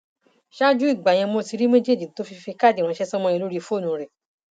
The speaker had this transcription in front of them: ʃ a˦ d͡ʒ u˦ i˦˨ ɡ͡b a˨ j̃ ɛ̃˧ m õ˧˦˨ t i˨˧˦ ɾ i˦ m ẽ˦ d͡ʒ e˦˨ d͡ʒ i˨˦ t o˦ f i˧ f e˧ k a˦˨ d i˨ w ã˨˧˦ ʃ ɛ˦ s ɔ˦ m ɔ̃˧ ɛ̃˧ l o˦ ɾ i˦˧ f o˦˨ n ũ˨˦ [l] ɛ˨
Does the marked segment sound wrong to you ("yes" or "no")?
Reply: yes